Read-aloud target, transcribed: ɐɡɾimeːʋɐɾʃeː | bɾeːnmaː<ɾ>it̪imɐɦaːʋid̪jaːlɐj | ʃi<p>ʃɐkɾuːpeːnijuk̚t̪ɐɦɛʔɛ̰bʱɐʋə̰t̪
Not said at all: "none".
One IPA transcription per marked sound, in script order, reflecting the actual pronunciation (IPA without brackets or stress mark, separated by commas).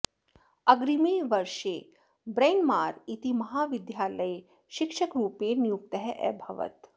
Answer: ɾ, k